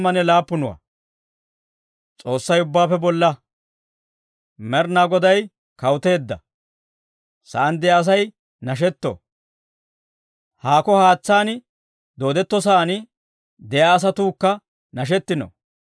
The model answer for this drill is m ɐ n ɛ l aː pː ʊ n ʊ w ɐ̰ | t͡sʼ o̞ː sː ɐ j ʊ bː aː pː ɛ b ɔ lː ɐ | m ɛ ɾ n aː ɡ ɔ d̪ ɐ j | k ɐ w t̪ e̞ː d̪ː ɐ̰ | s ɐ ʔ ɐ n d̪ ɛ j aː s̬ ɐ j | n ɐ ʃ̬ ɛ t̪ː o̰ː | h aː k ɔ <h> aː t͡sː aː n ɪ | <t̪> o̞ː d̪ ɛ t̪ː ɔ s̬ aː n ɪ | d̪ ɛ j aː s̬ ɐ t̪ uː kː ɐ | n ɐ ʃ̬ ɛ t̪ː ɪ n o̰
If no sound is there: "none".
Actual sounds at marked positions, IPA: h, d̪

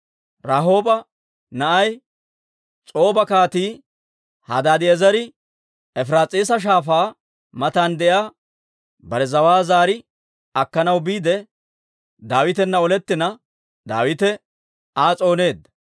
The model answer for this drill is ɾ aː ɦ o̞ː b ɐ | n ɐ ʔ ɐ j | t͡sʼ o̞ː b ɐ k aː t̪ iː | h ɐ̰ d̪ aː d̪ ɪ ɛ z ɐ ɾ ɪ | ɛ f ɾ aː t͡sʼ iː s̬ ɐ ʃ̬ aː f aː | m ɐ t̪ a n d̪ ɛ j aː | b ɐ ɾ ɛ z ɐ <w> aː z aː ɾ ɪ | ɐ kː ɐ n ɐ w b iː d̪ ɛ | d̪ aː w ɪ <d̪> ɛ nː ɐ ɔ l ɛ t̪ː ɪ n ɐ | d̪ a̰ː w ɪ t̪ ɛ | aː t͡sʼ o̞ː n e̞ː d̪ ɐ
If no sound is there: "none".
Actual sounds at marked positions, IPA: w, t̪

